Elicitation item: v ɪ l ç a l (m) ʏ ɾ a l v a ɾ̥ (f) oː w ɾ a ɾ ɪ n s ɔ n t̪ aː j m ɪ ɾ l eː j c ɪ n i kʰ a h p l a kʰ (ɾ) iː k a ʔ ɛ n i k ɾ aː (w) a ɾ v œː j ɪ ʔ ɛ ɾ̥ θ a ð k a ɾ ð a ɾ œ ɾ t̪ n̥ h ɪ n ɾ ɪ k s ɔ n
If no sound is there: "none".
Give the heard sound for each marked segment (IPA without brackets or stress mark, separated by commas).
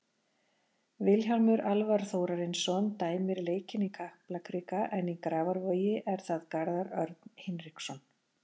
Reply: m, θ, ɾ, v